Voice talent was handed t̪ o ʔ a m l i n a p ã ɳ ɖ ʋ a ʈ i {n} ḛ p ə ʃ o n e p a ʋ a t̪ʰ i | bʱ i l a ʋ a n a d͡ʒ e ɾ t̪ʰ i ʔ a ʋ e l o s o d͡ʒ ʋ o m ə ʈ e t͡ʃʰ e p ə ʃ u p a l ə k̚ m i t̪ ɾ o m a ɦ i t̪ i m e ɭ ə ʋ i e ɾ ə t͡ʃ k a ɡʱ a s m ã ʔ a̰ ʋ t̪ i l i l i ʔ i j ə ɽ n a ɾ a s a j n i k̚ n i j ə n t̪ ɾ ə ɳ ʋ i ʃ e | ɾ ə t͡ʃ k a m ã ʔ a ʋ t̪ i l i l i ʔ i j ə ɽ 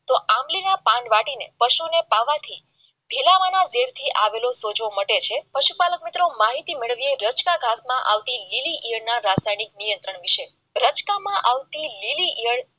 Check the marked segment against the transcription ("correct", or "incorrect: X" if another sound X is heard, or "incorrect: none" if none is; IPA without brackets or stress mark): correct